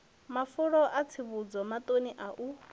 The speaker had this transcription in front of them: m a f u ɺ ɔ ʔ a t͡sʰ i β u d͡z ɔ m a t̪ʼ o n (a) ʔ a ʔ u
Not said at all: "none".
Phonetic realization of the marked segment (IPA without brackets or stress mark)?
i